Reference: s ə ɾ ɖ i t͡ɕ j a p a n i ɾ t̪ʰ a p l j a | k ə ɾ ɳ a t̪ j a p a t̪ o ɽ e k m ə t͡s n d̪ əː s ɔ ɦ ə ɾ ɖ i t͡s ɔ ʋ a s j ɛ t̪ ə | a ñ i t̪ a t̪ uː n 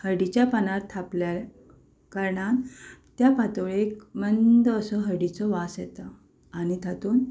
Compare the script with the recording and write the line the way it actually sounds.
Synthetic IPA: h ə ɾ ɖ i t͡ɕ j a p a n a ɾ t̪ʰ a p l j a | k ə ɾ ɳ a t̪ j a p a t̪ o ɭ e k m ə n d̪ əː s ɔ ɦ ə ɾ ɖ i t͡s ɔ ʋ a s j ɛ t̪ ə | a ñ i t̪ a t̪ uː n